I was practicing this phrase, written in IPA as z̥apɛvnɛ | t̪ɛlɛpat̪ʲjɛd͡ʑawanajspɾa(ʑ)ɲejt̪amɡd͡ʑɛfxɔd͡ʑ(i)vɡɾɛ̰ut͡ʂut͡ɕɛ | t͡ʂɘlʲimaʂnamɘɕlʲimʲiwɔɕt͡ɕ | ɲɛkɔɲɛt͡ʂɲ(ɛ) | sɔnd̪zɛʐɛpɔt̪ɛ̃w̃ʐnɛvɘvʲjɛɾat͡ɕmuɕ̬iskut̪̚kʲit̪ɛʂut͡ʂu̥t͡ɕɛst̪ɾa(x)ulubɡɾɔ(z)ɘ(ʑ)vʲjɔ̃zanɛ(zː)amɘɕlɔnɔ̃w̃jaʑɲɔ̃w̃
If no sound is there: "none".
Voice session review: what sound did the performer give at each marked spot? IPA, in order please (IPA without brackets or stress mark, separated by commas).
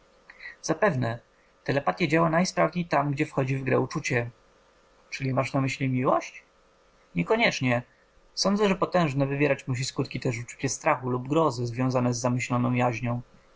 v, i, ɛ, x, z, z, zː